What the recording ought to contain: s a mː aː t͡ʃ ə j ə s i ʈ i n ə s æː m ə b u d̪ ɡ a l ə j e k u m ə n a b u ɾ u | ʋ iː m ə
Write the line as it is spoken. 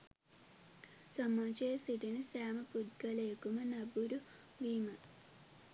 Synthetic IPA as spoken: s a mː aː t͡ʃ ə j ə s i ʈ i n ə s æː m ə p u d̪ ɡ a l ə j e k u m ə n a b u ɾ u | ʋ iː m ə